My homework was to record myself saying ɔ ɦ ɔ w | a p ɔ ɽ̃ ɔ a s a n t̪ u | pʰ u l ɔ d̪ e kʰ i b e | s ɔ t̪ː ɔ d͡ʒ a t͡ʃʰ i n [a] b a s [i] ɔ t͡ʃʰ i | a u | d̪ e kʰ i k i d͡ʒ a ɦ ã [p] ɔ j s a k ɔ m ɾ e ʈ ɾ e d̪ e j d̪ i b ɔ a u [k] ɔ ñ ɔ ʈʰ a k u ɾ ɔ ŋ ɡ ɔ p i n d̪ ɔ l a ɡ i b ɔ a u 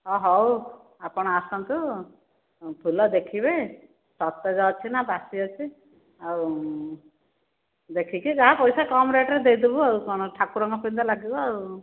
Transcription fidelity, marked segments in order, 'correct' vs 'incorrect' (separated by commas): correct, correct, correct, correct